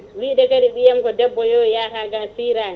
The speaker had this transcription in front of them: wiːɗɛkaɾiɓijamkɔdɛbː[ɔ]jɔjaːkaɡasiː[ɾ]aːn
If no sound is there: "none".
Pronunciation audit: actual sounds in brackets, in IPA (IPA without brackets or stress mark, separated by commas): ɔ, ɾ